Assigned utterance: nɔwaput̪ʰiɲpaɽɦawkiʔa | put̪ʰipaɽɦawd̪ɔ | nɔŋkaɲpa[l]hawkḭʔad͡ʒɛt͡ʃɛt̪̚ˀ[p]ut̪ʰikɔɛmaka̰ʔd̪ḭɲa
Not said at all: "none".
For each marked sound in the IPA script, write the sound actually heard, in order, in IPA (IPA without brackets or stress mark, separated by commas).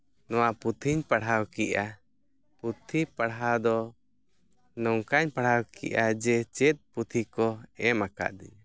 ɽ, p